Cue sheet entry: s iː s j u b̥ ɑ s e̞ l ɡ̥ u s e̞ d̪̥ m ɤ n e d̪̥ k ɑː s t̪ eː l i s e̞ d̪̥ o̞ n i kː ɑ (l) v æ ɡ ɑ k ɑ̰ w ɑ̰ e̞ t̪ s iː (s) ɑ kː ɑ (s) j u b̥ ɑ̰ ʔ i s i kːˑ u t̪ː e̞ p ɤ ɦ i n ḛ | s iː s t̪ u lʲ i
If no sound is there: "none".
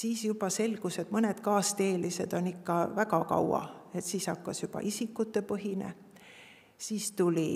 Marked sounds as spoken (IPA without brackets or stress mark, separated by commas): none, s, s